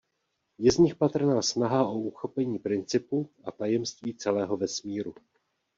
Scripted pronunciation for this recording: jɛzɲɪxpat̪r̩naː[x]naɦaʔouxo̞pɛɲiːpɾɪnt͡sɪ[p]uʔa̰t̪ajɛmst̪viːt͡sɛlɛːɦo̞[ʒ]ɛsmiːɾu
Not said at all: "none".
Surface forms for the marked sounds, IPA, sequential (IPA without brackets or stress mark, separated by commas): s, p, v